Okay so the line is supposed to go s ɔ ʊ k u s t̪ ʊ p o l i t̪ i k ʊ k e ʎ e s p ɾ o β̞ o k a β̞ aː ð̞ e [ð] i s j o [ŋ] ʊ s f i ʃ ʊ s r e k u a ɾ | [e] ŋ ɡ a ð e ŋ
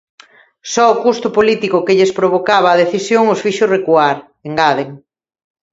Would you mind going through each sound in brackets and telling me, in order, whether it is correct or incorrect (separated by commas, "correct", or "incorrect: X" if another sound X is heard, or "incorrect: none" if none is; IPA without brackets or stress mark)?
incorrect: θ, correct, correct